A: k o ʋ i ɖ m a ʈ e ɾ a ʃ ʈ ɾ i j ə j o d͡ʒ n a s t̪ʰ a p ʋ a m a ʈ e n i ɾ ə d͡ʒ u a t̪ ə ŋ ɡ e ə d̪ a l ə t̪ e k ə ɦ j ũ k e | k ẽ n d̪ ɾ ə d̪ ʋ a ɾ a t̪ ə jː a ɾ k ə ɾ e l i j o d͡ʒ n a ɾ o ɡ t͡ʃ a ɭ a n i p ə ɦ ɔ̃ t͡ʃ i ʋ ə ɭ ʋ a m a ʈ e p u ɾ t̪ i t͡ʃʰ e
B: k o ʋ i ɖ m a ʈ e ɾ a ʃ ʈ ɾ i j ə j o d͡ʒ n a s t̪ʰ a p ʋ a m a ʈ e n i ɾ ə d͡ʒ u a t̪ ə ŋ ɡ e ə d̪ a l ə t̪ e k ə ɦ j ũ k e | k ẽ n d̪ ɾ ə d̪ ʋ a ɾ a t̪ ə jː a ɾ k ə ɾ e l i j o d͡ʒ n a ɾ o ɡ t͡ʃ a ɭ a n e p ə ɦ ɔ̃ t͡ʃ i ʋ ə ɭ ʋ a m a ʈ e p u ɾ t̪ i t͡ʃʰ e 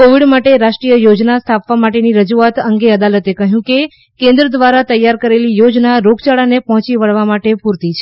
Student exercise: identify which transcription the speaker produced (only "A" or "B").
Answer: B